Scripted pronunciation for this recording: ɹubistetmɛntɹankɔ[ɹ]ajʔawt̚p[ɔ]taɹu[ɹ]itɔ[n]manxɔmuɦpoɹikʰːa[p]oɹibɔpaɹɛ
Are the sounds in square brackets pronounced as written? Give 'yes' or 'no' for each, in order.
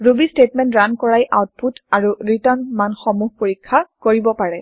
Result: yes, no, yes, yes, no

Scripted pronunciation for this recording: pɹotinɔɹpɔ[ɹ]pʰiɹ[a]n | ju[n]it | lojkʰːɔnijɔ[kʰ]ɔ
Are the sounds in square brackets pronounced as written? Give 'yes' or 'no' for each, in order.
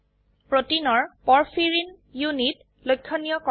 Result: yes, no, yes, no

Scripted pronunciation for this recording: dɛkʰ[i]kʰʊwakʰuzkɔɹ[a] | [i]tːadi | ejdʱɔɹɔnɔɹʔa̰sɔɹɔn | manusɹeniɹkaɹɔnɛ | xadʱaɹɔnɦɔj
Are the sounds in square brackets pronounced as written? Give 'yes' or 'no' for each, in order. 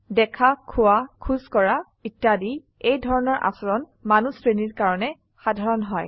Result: no, yes, yes

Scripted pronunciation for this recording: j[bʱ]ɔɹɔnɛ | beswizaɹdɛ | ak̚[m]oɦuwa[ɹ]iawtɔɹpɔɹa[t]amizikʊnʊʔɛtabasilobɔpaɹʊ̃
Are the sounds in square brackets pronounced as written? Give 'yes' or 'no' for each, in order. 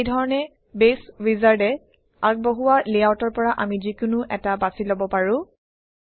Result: no, no, no, no

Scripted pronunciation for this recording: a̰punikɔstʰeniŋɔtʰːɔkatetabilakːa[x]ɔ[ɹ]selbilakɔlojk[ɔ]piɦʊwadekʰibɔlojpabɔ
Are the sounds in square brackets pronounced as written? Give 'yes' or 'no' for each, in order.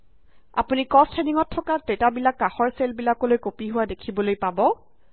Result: yes, yes, no

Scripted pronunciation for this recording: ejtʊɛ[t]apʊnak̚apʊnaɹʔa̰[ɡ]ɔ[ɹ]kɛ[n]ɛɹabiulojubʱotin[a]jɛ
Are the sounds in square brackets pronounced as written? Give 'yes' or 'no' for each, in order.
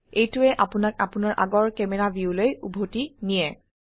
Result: no, yes, yes, no, no

